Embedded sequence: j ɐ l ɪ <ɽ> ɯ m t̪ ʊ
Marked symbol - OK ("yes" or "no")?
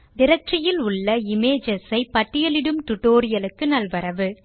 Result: yes